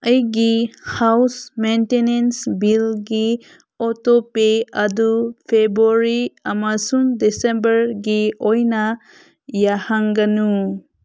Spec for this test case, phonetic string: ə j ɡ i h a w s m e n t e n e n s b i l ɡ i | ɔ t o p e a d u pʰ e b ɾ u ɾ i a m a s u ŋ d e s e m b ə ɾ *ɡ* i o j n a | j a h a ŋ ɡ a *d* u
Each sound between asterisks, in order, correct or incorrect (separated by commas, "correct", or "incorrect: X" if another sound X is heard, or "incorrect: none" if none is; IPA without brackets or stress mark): correct, incorrect: n